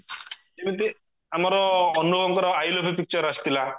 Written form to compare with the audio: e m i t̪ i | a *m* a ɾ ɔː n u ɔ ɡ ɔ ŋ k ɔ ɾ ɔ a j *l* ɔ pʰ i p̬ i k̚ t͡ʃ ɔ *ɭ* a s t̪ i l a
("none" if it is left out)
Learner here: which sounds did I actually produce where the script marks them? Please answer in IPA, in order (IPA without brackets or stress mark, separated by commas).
m, l, ɾ